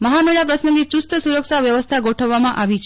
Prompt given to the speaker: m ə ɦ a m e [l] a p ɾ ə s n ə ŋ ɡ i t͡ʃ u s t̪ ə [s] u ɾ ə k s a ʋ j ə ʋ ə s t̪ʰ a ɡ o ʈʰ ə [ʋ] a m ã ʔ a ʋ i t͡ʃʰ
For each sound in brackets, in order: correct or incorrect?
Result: incorrect: ɭ, correct, incorrect: ʋː

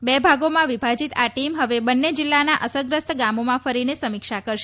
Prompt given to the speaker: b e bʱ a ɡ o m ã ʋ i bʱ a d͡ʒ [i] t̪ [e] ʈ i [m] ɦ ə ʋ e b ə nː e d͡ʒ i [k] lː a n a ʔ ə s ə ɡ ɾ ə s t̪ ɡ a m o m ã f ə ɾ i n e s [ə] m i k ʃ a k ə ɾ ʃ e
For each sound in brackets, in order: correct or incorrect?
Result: correct, incorrect: a, correct, incorrect: none, correct

